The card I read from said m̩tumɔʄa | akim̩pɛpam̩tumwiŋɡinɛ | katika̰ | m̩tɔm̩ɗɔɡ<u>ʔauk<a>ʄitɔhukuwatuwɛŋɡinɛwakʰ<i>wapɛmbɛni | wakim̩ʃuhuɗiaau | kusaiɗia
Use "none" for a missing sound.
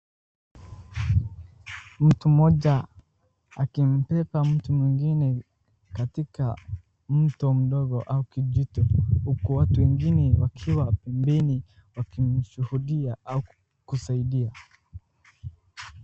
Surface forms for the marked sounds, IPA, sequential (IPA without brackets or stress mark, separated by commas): ɔ, i, i